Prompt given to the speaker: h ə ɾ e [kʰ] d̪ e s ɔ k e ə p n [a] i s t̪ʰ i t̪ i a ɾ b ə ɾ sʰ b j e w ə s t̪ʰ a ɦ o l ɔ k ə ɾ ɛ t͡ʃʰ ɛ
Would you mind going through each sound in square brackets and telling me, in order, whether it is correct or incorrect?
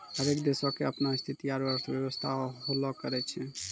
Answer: incorrect: k, correct

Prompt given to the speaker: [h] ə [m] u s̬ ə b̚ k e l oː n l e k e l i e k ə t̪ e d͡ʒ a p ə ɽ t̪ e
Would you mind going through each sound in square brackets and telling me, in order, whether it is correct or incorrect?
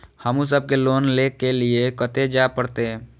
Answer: correct, correct

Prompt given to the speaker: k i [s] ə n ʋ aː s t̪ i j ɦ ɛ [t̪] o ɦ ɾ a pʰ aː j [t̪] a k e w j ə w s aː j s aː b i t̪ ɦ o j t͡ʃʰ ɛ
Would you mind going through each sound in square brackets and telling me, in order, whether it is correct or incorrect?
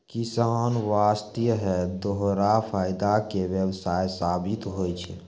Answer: correct, incorrect: d̪, incorrect: d̪

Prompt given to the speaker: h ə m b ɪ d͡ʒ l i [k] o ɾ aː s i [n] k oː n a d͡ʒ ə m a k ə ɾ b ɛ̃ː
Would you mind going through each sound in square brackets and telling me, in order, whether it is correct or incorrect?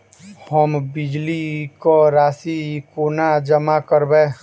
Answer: correct, incorrect: none

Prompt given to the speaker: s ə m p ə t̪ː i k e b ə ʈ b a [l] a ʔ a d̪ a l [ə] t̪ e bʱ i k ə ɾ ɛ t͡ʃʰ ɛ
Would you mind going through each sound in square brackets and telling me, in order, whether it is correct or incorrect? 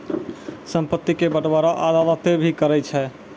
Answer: incorrect: ɾ, correct

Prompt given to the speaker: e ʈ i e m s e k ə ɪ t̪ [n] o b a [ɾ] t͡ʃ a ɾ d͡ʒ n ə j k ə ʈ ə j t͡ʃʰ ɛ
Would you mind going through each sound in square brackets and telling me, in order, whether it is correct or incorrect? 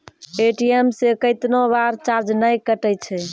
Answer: correct, correct

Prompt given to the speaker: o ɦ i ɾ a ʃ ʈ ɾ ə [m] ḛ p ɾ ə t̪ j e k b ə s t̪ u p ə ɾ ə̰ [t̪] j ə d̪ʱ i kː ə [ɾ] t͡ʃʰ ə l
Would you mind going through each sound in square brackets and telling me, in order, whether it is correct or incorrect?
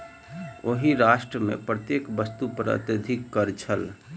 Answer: correct, correct, correct

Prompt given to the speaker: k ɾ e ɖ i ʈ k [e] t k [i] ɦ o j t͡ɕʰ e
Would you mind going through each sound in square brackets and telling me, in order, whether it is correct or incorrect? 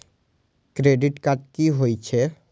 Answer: incorrect: a, correct

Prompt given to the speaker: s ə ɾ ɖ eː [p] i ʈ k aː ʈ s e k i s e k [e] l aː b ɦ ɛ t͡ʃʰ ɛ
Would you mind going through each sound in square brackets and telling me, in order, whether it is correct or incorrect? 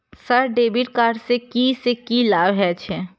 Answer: incorrect: b, incorrect: i

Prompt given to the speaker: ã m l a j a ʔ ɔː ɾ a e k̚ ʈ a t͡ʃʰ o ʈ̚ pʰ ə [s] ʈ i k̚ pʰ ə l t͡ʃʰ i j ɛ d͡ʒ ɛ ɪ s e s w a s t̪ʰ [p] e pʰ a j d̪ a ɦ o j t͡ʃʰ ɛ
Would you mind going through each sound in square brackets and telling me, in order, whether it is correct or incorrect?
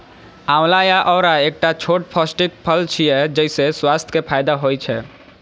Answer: correct, incorrect: k

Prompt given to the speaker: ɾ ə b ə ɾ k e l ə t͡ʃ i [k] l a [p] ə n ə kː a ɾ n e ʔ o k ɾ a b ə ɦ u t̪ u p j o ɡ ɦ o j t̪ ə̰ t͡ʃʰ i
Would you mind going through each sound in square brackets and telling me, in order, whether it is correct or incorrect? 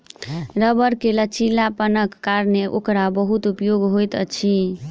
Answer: incorrect: none, correct

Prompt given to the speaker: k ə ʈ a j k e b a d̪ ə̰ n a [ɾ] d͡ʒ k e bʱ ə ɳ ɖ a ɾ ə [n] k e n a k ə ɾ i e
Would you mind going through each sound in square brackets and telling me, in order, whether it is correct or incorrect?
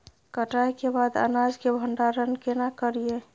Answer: incorrect: none, correct

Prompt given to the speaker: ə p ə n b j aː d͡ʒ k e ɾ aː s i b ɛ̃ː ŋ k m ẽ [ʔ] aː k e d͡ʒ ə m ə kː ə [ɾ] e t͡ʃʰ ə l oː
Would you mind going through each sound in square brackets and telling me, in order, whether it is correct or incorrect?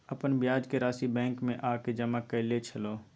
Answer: correct, incorrect: l

